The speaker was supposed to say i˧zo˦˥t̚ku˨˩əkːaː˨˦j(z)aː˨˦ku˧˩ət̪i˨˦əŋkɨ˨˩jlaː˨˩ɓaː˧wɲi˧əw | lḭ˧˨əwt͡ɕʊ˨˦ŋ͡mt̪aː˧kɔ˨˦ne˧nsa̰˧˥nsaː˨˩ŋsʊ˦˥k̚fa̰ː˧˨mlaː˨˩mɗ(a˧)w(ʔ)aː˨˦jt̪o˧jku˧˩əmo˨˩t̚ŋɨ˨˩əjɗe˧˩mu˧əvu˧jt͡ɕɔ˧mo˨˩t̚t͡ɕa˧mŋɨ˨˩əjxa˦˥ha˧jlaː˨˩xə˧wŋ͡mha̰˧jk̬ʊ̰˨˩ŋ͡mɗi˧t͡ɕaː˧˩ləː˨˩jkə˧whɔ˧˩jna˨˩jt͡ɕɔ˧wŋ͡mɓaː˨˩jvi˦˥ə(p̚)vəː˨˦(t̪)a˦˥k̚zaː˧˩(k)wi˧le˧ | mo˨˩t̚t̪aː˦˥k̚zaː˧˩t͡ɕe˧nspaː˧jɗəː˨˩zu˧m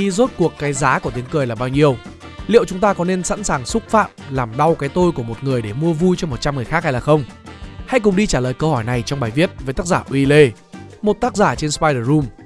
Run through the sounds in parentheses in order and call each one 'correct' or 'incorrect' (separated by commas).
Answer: correct, correct, incorrect, incorrect, correct, incorrect